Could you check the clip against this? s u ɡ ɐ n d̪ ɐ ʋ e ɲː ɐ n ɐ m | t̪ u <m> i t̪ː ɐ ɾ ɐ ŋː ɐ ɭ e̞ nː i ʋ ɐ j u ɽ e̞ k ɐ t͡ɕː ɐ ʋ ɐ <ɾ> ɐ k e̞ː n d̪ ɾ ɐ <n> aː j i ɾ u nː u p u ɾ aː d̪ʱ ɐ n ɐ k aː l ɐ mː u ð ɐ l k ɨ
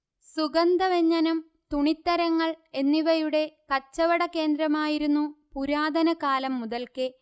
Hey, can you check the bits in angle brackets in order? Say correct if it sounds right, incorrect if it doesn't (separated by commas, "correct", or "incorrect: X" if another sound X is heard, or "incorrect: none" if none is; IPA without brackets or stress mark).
incorrect: ɳ, incorrect: ɽ, incorrect: m